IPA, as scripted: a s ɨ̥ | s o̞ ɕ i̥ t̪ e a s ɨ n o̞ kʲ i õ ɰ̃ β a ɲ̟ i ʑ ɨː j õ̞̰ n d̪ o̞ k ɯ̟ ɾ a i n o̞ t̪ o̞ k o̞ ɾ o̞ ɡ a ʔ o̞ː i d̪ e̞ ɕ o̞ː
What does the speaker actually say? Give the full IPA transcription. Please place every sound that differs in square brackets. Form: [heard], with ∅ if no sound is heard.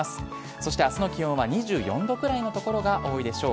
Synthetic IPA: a s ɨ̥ | s o̞ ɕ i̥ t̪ e a s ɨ n o̞ kʲ i õ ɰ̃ β a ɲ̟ i ʑ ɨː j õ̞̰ n d̪ o̞ k ɯ̟ ɾ a i n o̞ t̪ o̞ k o̞ ɾ o̞ ɡ a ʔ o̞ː i d̪ e̞ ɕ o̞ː